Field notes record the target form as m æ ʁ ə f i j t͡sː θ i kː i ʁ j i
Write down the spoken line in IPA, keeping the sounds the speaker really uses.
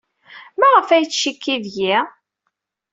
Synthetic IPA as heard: m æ ʁ ə f æ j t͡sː ʃ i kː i ð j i